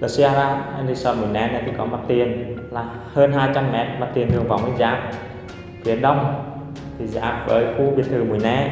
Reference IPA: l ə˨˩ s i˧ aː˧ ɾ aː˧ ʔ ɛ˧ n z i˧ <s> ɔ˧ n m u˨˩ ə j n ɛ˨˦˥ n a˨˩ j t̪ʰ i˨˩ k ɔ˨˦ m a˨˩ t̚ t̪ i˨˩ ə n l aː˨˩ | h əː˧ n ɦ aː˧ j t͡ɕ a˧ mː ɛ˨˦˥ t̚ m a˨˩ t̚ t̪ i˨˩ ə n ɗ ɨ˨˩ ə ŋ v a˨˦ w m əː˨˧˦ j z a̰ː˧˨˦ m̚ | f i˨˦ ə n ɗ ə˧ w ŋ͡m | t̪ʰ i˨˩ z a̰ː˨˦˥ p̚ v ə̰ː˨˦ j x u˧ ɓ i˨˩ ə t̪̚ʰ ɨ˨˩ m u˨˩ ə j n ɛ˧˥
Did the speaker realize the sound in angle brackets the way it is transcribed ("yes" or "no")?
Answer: yes